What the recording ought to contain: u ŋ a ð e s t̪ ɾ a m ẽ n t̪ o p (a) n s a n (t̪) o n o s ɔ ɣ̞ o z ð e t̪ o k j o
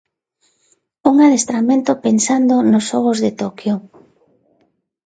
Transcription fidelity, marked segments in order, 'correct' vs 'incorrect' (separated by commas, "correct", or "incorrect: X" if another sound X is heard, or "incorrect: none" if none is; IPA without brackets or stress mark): incorrect: e, incorrect: d̪